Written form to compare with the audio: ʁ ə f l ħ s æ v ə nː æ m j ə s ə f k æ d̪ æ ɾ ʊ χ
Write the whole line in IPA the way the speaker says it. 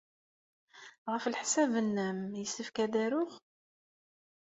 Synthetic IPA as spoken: ʁ ə f l ħ s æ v ə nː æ m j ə s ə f k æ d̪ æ ɾ ʊ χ